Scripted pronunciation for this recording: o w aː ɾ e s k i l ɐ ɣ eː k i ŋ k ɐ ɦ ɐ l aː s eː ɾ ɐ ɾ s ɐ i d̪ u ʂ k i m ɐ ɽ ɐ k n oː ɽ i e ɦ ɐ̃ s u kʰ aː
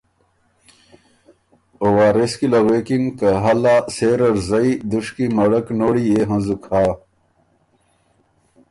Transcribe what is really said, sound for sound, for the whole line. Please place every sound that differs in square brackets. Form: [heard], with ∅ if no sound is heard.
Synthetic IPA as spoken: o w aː ɾ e s k i l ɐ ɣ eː k i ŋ k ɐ ɦ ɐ l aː s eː ɾ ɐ ɾ [z] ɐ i d̪ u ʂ k i m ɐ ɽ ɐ k n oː ɽ i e ɦ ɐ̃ [z] u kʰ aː